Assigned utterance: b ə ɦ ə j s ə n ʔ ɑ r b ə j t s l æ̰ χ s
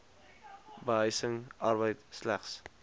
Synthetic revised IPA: b ə ɦ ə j s ə ŋ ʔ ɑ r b ə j t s l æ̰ χ s